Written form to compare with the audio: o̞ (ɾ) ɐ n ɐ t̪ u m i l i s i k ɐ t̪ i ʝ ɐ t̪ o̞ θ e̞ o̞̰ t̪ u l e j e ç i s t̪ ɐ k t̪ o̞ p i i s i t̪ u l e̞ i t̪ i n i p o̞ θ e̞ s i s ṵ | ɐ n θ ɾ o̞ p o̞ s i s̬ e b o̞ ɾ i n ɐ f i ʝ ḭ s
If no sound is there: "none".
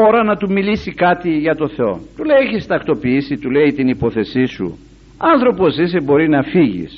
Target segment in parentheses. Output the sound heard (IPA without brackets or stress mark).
ɾ